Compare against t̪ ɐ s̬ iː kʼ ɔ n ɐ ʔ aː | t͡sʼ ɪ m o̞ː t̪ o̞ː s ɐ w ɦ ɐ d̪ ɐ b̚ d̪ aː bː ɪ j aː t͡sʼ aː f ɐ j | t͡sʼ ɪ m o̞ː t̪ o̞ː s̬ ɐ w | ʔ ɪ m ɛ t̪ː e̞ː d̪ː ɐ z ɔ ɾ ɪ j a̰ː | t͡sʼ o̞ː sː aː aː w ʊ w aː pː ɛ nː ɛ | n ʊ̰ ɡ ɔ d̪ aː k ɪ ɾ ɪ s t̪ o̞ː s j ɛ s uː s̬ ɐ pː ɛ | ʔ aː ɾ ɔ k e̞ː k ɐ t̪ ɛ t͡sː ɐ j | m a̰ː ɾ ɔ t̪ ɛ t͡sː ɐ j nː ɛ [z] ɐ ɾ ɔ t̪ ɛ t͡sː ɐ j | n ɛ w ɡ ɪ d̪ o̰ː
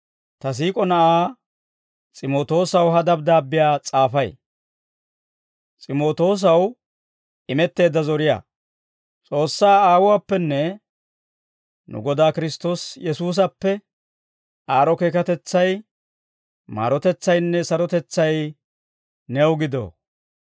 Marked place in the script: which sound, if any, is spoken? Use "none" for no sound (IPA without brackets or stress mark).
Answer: s